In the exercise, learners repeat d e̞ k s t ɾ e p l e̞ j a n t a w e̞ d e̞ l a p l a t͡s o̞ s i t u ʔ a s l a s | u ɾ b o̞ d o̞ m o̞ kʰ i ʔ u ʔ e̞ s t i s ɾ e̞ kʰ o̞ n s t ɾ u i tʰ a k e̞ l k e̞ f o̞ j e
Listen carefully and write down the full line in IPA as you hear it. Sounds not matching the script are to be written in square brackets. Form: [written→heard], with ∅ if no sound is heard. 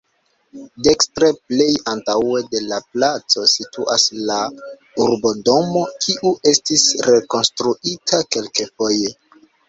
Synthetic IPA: d e̞ k s t ɾ e p l e̞ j a n t a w e̞ d e̞ l a p l a t͡s o̞ s i t u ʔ a s l a [s→∅] | u ɾ b o̞ d o̞ m o̞ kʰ i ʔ u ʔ e̞ s t i s ɾ e̞ [kʰ→k] o̞ n s t ɾ u i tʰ a k e̞ l k e̞ f o̞ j e